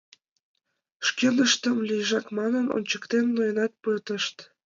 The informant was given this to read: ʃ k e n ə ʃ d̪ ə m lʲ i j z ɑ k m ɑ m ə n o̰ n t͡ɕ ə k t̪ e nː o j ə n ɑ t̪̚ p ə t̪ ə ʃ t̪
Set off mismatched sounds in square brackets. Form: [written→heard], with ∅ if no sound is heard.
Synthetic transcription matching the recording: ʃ k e n ə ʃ [d̪→t̪] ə m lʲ i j [z→ʒ] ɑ k m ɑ [m→n] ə n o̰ n t͡ɕ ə k t̪ e nː o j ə n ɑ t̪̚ p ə t̪ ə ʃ t̪